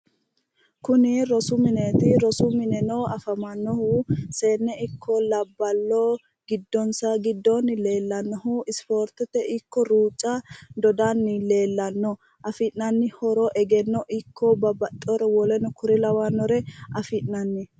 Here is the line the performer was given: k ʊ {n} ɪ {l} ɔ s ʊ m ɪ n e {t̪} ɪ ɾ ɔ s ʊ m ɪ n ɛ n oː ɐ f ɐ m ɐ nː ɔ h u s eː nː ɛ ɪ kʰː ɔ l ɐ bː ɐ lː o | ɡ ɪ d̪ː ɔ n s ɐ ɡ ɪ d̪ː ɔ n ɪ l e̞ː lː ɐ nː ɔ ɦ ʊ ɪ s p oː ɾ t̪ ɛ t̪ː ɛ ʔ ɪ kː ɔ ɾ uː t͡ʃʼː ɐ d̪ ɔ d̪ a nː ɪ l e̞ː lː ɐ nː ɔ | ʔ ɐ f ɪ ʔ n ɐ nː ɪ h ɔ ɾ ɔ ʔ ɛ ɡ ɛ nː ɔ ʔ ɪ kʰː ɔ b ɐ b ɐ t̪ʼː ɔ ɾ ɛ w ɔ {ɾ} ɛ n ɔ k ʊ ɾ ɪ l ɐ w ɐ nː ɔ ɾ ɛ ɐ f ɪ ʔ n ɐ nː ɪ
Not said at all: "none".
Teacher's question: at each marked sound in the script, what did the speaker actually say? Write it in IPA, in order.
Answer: n, ɾ, t̪, l

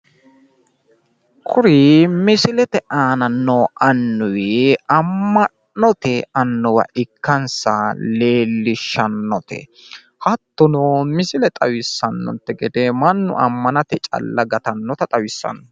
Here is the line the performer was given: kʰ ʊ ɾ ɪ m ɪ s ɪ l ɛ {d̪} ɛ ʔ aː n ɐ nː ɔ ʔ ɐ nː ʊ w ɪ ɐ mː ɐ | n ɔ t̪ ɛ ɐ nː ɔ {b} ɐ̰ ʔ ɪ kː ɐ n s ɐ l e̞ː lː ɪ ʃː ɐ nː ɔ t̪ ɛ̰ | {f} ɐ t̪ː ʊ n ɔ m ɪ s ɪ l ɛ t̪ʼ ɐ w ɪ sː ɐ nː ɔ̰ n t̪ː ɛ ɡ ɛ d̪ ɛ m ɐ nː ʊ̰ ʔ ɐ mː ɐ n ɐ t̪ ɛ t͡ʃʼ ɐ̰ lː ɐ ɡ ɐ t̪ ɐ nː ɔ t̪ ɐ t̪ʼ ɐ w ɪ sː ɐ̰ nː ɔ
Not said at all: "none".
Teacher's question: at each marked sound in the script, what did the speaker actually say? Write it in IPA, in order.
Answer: t̪, w, h

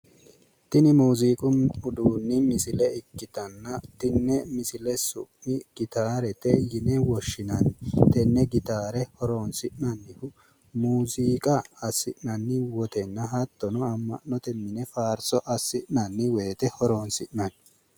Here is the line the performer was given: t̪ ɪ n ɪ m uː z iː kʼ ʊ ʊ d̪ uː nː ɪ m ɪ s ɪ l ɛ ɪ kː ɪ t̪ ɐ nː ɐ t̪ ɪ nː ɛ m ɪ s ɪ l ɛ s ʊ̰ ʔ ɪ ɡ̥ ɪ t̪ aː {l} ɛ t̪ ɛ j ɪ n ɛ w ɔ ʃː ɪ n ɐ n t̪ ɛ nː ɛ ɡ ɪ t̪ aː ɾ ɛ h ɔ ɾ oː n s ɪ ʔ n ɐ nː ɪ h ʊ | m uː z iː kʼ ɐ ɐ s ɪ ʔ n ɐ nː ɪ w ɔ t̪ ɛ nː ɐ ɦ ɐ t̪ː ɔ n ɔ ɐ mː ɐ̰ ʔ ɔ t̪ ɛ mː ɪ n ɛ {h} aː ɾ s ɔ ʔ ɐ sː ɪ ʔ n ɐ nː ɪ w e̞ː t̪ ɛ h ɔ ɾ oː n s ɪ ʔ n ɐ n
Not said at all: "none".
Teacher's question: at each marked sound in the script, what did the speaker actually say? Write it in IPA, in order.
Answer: ɾ, f

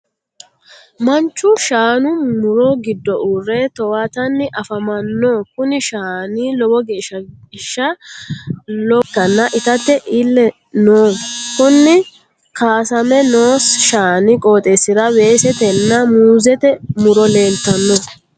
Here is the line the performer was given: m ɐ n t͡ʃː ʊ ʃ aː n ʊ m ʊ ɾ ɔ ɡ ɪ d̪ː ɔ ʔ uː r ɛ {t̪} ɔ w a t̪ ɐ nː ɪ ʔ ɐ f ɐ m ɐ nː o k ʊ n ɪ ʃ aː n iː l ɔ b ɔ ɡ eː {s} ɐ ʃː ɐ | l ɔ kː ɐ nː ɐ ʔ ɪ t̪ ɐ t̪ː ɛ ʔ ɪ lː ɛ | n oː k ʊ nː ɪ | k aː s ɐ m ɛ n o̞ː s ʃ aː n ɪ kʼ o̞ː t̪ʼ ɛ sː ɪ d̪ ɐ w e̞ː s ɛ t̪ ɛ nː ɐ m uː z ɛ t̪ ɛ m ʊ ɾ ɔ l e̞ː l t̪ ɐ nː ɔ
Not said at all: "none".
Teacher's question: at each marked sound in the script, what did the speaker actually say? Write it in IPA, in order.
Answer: t̪, ʃ

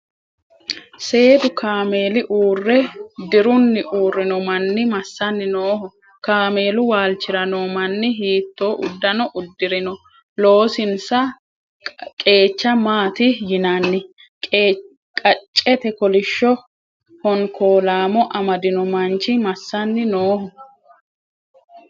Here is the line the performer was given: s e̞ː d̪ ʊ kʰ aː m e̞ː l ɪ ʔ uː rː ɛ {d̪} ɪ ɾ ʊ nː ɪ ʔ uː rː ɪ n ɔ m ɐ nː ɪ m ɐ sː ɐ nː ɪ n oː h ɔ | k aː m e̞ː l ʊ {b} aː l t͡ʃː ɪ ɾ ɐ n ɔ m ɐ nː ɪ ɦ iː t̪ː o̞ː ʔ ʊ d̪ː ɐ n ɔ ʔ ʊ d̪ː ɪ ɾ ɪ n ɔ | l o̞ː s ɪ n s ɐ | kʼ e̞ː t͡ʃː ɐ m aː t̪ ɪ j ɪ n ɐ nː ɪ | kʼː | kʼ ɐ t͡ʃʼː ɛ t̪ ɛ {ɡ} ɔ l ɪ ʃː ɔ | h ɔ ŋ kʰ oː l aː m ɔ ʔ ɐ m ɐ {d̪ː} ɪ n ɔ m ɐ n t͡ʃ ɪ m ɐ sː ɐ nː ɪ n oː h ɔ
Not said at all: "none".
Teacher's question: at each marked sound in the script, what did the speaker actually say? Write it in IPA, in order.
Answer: d̪, w, k, d̪

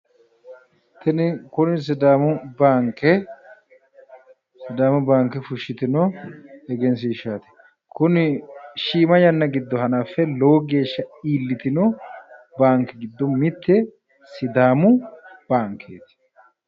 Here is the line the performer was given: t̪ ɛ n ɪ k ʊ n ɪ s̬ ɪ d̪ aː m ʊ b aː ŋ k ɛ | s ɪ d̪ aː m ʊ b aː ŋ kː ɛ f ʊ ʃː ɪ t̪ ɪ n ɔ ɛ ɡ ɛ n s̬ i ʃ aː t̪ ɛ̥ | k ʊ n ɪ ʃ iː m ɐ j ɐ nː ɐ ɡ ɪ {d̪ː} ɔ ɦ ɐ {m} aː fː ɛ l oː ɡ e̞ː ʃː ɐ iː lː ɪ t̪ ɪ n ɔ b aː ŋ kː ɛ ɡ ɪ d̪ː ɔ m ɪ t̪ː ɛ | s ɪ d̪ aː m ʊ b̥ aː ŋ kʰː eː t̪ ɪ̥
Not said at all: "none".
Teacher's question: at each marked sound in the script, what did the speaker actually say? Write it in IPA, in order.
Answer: d̪ː, n

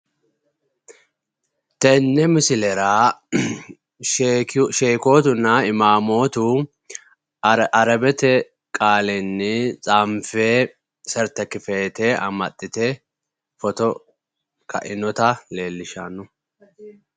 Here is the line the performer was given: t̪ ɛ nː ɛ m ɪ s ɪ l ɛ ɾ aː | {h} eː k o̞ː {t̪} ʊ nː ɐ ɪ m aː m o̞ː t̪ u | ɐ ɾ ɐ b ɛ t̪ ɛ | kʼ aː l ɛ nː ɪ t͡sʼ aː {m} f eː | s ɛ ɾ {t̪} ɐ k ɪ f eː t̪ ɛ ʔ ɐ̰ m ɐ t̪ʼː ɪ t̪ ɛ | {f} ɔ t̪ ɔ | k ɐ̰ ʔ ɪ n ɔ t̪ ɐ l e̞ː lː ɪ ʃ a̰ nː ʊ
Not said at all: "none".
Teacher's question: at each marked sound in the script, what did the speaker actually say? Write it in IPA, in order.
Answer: ʃ, t̪, m, t̪, f

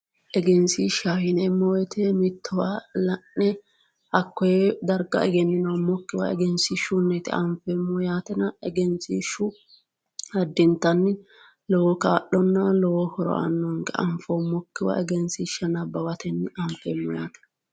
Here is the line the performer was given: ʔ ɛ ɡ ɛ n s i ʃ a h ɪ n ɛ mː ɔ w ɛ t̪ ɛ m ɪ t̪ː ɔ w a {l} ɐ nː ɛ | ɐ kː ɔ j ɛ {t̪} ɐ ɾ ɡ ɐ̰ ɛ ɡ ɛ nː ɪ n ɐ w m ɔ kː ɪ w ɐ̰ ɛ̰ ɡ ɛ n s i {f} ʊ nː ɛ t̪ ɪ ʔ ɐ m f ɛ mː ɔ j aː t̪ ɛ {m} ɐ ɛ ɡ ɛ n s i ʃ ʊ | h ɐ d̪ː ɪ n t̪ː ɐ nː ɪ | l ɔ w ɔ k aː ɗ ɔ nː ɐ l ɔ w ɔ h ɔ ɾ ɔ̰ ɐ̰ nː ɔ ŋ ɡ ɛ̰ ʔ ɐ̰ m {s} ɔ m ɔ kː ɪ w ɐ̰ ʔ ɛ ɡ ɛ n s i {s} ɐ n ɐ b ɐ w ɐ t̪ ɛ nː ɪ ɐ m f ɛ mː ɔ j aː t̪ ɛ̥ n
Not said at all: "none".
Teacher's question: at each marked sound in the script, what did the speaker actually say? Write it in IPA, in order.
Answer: l, d̪, ʃ, n, f, ʃ

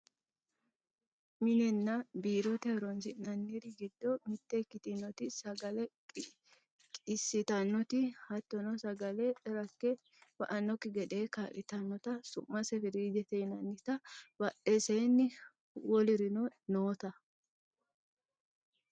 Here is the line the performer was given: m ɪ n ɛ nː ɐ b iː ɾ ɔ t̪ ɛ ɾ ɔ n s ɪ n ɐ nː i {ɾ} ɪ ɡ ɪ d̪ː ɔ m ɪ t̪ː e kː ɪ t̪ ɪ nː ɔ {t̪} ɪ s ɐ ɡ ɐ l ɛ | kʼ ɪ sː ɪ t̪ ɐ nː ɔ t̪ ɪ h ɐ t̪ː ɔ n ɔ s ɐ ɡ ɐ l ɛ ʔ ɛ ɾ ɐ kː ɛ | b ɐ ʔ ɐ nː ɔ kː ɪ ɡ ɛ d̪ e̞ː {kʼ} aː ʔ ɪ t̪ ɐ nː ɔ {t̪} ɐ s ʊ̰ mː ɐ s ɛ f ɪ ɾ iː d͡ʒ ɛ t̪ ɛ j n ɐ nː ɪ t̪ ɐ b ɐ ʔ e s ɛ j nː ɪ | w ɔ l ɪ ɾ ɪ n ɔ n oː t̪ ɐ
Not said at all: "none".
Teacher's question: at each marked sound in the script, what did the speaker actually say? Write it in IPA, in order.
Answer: ɾ, t̪, k, t̪

